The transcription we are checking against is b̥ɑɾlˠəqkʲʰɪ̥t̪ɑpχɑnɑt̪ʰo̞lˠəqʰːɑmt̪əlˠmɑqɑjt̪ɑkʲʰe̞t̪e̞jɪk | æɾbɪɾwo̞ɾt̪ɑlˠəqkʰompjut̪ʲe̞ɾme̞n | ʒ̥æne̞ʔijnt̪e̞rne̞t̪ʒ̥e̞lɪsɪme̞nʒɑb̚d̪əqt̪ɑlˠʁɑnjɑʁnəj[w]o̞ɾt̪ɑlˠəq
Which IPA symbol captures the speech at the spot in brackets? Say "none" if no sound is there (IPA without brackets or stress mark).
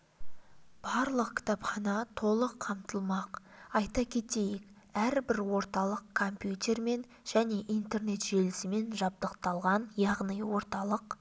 w